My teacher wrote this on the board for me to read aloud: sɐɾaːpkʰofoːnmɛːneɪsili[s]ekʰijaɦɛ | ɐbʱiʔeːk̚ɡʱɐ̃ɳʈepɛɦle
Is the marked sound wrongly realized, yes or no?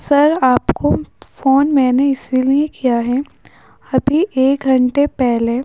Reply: yes